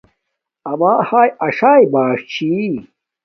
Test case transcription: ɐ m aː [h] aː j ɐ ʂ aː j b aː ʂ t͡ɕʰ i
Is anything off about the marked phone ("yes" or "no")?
no